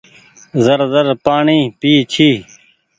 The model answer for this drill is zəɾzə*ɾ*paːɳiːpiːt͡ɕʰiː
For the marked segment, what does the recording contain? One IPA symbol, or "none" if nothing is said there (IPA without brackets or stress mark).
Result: ɾ